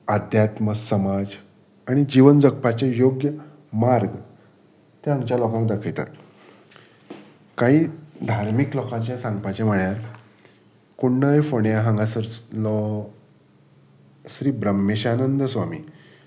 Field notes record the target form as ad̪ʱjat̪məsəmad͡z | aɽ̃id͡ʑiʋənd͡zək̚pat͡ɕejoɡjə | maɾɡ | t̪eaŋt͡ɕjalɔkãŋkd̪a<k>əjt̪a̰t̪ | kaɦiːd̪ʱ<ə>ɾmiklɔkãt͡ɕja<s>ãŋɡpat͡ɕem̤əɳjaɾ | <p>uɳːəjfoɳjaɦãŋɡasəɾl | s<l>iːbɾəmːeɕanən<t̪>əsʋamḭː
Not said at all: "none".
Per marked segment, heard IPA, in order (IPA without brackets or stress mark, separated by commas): kʰ, a, s, k, ɾ, d̪